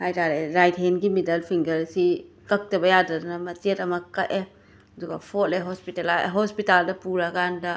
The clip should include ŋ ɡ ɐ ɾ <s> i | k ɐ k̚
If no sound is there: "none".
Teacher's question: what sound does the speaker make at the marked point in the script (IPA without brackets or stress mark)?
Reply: s